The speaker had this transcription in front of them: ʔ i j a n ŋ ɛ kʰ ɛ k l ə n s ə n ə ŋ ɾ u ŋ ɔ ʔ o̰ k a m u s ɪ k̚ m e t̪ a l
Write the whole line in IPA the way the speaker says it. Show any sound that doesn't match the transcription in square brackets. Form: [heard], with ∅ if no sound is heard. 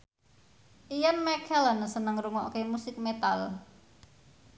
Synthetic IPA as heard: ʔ i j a n [m] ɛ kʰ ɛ [∅] l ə n s ə n ə ŋ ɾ u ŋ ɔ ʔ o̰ k [e] m u s ɪ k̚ m e t̪ a l